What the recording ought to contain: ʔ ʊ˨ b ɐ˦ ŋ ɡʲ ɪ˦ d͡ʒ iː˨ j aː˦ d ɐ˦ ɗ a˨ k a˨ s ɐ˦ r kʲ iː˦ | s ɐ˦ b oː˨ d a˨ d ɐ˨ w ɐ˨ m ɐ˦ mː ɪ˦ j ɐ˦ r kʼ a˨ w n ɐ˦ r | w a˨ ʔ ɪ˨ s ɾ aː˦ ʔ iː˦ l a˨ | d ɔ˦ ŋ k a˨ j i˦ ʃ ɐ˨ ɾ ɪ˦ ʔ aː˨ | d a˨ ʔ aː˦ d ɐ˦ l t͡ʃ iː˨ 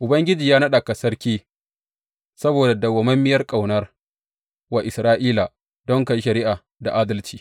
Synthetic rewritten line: ʔ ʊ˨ b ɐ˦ ŋ ɡʲ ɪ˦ d͡ʒ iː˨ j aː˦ n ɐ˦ ɗ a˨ k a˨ s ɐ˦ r kʲ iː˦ | s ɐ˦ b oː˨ d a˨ d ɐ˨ w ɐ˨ m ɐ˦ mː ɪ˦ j ɐ˦ r kʼ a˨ w n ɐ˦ r | w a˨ ʔ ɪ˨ s ɾ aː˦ ʔ iː˦ l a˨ | d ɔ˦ ŋ k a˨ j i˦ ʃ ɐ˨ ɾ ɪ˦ ʔ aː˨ | d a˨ ʔ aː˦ d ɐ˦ l t͡ʃ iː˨

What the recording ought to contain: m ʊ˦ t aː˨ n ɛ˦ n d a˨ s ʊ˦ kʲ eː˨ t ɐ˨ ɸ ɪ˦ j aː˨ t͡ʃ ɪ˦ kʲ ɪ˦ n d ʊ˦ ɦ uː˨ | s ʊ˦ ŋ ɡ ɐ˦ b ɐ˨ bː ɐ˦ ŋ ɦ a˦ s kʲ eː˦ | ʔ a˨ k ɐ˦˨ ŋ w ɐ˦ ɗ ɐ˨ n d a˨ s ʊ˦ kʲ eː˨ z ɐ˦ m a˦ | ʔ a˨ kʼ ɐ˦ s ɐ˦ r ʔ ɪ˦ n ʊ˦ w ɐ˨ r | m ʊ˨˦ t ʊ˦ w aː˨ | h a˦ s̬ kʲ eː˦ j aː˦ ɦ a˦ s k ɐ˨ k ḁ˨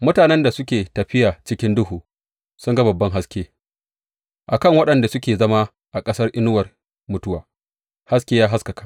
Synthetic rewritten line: m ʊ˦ t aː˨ n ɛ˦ n d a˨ s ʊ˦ kʲ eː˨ t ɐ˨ ɸ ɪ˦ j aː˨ t͡ʃ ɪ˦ kʲ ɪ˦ n d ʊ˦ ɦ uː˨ | s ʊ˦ ŋ ɡ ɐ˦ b ɐ˨ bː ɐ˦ ŋ ɦ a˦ s kʲ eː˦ | ʔ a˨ k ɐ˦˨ ŋ w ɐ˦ ɗ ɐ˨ n d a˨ s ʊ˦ kʲ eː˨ z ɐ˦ m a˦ | ʔ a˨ kʼ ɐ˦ s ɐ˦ r ʔ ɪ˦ n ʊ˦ w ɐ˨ r | m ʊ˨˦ t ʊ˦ w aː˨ | h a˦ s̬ kʲ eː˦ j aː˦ ɦ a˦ s k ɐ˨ k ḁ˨

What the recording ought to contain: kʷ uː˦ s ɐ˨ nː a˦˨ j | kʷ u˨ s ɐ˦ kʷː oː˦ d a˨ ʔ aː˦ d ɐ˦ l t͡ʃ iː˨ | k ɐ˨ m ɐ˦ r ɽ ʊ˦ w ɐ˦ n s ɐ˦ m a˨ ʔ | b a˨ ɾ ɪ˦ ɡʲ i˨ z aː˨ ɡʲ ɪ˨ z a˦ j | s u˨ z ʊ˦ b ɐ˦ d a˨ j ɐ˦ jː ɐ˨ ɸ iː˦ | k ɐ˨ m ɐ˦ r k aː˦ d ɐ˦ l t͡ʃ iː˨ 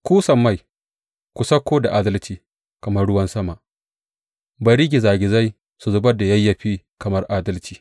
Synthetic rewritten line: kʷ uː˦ s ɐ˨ mː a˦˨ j | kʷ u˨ s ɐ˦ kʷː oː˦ d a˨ ʔ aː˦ d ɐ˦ l t͡ʃ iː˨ | k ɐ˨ m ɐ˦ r ɽ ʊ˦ w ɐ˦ n s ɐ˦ m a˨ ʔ | b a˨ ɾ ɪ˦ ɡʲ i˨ z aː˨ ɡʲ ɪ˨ z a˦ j | s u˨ z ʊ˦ b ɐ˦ d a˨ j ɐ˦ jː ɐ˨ ɸ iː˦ | k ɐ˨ m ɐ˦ r ʔ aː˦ d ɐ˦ l t͡ʃ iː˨

